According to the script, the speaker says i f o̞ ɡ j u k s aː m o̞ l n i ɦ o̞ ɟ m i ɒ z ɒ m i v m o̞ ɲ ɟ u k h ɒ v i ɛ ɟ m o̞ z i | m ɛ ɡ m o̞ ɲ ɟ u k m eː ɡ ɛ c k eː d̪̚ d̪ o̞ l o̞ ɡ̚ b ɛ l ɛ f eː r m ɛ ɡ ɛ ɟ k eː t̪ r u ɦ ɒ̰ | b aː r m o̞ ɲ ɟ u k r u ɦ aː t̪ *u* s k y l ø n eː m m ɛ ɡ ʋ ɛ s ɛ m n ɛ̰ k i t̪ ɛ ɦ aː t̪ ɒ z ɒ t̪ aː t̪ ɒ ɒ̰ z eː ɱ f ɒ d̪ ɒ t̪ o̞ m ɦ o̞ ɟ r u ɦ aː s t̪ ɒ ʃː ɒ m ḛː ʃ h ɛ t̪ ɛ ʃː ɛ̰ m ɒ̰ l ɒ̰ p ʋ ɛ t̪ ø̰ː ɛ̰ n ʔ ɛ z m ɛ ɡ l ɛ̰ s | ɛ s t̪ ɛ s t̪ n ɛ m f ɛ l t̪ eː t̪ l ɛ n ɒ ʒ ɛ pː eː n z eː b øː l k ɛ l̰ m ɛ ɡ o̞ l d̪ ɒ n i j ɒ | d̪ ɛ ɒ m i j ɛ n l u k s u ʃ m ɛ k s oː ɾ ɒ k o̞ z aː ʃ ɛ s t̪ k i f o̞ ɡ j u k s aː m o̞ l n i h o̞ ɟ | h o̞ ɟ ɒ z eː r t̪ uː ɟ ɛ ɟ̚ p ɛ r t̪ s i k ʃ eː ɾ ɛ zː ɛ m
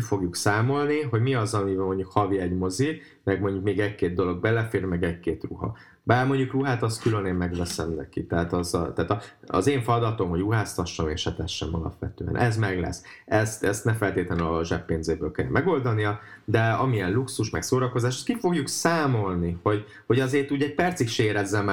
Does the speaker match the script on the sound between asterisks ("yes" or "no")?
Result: no